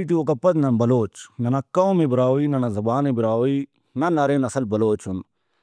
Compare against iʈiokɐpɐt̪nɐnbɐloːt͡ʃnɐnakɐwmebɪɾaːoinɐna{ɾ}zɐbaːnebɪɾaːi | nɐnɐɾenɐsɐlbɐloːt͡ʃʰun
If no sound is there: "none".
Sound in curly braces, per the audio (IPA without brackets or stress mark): none